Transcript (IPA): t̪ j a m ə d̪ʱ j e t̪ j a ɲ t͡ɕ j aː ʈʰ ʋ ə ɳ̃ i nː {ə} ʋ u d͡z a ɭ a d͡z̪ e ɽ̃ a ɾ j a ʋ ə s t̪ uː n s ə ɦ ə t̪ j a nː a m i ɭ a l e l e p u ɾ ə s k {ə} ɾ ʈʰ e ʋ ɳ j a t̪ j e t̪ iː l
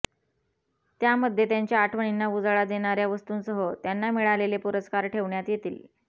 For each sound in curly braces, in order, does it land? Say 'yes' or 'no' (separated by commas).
no, no